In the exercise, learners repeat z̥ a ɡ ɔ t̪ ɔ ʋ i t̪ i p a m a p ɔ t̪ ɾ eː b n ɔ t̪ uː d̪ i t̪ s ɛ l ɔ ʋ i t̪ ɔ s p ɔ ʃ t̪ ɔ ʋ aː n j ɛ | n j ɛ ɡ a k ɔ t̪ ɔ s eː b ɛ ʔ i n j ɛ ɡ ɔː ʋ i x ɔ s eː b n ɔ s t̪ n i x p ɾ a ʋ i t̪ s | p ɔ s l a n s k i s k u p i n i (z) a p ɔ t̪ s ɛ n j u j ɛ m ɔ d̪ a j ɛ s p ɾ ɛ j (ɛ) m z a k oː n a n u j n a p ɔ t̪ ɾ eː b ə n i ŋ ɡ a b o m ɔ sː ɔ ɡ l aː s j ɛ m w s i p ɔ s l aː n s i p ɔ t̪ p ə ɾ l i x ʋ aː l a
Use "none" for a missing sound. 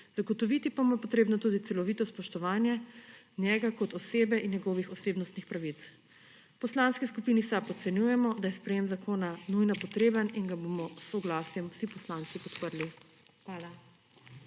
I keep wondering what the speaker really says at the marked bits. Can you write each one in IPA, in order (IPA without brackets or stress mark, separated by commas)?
s, e